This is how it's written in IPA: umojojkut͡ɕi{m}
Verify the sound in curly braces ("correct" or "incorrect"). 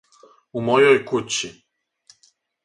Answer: incorrect